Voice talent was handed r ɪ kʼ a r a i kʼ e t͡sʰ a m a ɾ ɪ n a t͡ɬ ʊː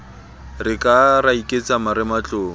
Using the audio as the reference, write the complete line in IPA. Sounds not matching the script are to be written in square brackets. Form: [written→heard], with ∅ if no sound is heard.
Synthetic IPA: r ɪ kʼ a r a i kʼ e [t͡sʰ→t͡s] a m a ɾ ɪ [n→m] a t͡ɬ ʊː